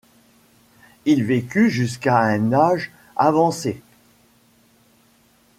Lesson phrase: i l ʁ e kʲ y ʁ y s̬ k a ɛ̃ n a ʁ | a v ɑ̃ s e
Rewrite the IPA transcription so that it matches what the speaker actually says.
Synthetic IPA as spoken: i l v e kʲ y ʒ y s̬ k a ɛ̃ n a ʒ | a v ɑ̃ s e